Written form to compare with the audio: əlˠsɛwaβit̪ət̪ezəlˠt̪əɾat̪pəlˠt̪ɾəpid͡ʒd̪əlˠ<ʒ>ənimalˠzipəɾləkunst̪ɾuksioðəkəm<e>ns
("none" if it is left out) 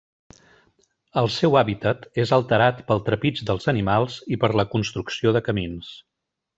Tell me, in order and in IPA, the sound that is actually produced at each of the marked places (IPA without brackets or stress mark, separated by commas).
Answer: z, i